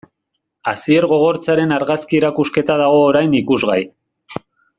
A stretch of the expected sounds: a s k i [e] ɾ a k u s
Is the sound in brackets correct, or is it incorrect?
correct